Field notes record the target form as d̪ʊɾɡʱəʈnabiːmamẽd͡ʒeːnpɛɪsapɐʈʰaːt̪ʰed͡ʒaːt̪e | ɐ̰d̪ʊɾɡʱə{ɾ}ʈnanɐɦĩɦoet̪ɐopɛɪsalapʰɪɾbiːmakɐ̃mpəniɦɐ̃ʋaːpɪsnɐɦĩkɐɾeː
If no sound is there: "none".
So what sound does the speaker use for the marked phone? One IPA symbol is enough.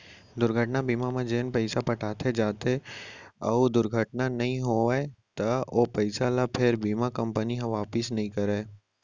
none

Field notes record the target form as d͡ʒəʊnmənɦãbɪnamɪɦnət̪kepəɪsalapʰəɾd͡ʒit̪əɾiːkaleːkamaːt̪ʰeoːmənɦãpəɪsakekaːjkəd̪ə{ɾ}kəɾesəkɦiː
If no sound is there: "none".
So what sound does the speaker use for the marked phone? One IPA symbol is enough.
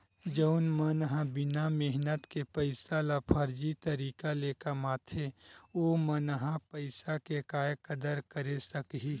ɾ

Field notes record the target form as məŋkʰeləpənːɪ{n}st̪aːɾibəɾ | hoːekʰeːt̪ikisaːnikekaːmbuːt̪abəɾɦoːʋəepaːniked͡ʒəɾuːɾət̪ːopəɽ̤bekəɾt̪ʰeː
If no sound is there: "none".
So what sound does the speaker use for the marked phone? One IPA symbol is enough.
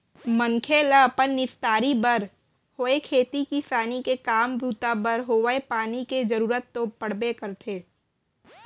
none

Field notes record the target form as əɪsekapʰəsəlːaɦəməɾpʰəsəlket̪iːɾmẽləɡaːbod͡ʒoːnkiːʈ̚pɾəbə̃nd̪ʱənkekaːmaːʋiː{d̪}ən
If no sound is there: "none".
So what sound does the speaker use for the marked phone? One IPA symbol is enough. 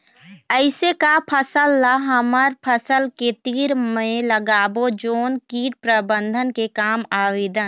d̪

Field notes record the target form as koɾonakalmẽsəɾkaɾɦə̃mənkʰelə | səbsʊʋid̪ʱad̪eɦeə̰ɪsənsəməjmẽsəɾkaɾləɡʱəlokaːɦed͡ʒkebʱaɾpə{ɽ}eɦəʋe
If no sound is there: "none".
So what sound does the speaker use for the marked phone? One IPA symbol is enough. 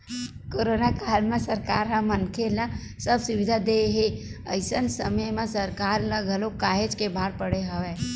ɽ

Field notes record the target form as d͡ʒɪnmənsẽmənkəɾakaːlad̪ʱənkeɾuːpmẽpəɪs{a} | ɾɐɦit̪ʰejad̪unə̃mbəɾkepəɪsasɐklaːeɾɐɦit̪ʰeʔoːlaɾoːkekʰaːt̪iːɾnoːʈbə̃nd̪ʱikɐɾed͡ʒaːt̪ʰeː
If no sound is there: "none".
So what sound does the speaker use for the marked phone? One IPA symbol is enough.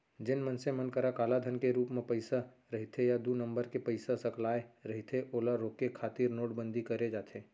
a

